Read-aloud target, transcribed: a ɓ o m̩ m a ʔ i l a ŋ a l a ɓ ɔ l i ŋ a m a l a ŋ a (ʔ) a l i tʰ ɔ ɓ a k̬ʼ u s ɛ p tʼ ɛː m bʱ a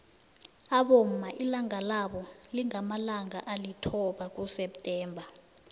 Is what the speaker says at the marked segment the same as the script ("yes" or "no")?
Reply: yes